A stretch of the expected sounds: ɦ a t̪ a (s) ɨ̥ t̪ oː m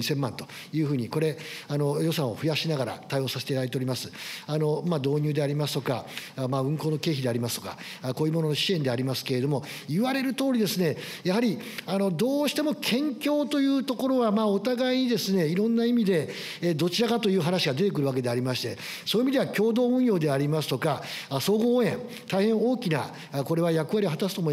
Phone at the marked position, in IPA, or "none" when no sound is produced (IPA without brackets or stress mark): s